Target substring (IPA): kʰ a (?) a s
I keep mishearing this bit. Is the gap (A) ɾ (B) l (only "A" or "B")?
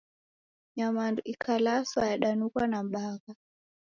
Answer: B